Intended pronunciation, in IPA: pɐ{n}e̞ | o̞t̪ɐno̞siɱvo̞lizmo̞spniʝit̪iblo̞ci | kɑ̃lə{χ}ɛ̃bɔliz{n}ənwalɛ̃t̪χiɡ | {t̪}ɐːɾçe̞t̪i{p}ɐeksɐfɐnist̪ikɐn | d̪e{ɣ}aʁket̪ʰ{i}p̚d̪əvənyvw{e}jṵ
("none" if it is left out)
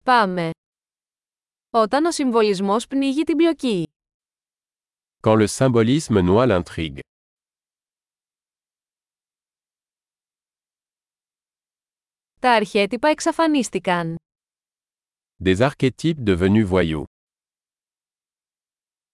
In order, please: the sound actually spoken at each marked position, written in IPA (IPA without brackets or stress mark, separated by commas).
m, s, m, t̪, p, z, i, a